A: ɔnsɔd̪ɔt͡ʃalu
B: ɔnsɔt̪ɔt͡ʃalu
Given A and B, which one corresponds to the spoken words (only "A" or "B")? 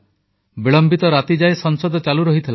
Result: A